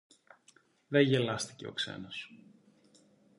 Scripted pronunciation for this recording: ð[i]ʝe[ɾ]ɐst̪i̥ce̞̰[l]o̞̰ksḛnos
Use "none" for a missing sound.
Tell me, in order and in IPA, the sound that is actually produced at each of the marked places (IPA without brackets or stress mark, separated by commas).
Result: e, l, none